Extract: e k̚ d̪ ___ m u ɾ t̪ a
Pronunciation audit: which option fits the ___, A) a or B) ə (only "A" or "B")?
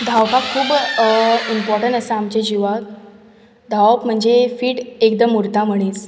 B